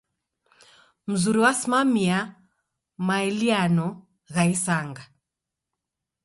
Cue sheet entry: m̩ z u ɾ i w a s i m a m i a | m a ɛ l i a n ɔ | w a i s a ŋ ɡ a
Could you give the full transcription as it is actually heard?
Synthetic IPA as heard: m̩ z u ɾ i w a s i m a m i a | m a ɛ l i a n ɔ | ɣ a i s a ŋ ɡ a